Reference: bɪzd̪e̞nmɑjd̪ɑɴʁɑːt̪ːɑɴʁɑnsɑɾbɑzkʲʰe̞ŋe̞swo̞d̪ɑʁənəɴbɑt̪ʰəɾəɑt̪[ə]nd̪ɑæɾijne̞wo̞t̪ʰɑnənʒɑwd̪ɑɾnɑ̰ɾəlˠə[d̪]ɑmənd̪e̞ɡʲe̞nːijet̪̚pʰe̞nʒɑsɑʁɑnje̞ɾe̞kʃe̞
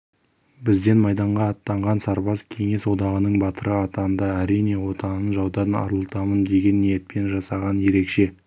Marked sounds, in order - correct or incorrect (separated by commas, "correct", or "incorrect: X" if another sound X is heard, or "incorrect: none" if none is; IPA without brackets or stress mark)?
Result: incorrect: ɑ, incorrect: t̪